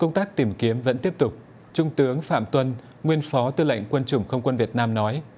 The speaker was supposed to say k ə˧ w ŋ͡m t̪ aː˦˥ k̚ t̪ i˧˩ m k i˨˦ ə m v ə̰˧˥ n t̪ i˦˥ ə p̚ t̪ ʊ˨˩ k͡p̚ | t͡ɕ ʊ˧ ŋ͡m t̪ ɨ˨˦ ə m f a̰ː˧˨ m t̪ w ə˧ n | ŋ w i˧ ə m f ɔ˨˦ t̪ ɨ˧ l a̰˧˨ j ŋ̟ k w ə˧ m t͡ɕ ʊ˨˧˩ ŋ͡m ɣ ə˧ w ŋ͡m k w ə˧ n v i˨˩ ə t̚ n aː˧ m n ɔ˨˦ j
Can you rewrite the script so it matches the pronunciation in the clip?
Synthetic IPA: k ə˧ w ŋ͡m t̪ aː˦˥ k̚ t̪ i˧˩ m k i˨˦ ə m v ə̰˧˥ n t̪ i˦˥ ə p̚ t̪ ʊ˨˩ k͡p̚ | t͡ɕ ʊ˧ ŋ͡m t̪ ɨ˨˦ ə ŋ f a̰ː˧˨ m t̪ w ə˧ n | ŋ w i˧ ə n f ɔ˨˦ t̪ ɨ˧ l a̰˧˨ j ŋ̟ k w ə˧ n t͡ɕ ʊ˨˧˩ ŋ͡m x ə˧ w ŋ͡m k w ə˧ n v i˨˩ ə t̚ n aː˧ m n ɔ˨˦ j

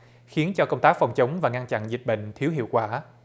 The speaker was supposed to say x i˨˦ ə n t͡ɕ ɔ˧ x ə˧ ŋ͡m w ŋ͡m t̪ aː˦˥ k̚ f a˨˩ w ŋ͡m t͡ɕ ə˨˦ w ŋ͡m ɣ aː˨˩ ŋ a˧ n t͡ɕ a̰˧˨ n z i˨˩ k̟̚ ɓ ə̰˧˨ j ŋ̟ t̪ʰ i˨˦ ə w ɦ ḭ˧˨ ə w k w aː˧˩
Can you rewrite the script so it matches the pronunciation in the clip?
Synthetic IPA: x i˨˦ ə n t͡ɕ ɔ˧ k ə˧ w ŋ͡m t̪ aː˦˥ k̚ f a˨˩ w ŋ͡m t͡ɕ ə˨˦ w ŋ͡m v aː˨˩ ŋ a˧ n t͡ɕ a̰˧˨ n z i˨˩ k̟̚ ɓ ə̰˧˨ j ŋ̟ t̪ʰ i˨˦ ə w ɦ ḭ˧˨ ə w k w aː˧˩

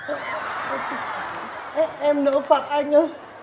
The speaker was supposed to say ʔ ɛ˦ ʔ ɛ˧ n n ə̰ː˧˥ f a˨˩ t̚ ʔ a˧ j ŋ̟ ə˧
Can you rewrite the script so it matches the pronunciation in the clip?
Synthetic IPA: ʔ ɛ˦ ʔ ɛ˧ m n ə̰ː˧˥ f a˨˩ t̚ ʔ a˧ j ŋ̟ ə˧

